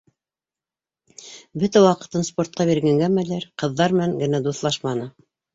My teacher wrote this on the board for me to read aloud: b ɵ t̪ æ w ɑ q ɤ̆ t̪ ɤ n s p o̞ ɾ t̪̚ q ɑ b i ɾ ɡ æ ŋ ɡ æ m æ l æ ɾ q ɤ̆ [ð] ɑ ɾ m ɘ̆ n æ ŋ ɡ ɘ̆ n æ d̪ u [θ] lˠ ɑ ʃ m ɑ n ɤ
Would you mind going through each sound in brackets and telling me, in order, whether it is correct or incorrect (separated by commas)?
incorrect, correct